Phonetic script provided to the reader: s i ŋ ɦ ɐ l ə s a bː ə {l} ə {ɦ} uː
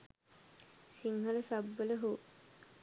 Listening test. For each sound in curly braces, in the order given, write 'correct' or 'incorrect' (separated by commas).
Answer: correct, correct